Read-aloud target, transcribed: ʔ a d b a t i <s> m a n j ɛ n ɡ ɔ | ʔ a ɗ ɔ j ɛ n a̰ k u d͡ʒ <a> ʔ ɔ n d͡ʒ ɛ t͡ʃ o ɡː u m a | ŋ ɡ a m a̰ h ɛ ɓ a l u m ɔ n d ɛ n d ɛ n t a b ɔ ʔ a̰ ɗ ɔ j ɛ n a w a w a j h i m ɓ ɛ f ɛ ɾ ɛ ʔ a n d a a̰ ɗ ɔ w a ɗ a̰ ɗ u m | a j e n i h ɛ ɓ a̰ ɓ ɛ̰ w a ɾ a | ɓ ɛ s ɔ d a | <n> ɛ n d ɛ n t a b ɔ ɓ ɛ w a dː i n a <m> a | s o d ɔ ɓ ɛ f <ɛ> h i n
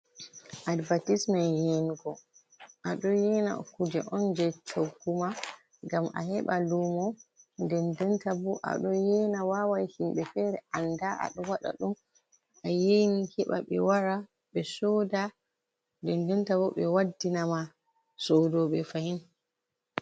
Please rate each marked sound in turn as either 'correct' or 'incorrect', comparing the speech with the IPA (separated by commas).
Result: correct, incorrect, incorrect, correct, incorrect